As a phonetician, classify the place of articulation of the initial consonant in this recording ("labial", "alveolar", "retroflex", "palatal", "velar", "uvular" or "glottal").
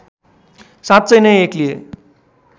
alveolar